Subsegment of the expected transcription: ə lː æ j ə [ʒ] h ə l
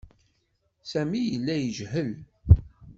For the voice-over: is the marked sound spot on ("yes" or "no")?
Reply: yes